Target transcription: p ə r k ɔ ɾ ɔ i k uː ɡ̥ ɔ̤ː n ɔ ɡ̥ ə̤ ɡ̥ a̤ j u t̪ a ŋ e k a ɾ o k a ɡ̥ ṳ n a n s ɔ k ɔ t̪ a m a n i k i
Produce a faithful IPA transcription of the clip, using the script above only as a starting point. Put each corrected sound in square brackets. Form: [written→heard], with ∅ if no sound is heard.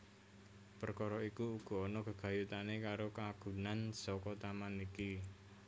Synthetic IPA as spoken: p ə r k ɔ ɾ ɔ i k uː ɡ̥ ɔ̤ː n ɔ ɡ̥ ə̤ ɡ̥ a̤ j u t̪ a [ŋ→n] e k a ɾ o k a ɡ̥ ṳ n a n s ɔ k ɔ t̪ a m a n i k i